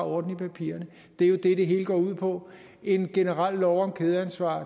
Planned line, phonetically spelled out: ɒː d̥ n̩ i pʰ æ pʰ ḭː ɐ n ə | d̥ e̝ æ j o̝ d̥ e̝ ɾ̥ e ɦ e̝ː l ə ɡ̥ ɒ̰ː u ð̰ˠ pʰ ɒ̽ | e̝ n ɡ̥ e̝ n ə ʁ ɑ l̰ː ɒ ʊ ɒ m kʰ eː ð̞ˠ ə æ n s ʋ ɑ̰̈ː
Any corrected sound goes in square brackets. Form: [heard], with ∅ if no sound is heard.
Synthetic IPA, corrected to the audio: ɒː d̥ n̩ i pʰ æ pʰ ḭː ɐ n ə | d̥ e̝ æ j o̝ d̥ e̝ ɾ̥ e ɦ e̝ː l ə ɡ̥ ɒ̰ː u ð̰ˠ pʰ ɒ̽ | e̝ n ɡ̥ e̝ n ə ʁ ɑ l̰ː ɒ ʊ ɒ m kʰ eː ð̞ˠ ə æ n s ʋ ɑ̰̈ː